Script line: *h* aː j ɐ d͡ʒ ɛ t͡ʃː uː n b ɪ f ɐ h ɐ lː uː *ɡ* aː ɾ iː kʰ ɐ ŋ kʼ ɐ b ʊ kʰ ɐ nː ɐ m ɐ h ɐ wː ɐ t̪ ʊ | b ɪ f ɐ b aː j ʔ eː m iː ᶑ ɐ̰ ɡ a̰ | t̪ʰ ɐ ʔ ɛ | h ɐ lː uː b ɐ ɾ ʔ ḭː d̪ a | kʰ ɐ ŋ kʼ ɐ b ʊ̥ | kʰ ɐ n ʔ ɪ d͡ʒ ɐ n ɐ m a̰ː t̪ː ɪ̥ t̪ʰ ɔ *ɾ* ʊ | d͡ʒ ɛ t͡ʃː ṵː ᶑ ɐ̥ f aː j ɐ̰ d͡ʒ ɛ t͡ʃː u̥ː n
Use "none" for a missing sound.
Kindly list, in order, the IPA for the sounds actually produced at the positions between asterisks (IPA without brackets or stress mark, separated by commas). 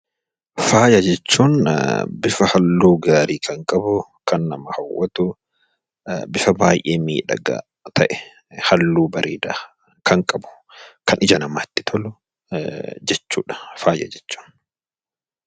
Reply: f, ɡ, l